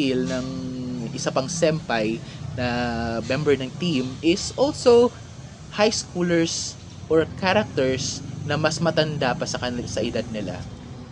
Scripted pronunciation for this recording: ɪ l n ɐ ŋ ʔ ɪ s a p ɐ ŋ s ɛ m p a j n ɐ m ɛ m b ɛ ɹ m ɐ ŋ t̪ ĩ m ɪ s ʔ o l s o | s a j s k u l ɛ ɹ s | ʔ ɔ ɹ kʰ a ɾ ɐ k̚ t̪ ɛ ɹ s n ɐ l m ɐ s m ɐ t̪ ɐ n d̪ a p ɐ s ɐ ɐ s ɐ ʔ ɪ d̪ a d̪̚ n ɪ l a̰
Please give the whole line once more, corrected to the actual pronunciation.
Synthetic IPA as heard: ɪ l n ɐ ŋ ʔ ɪ s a p ɐ ŋ s ɛ m p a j n ɐ m ɛ m b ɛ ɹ n ɐ ŋ t̪ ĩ m ɪ s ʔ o l s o | h a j s k u l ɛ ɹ s | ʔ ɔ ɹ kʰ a ɾ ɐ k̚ t̪ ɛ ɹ s n ɐ m ɐ s m ɐ t̪ ɐ n d̪ a p ɐ s ɐ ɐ s ɐ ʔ ɪ d̪ a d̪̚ n ɪ l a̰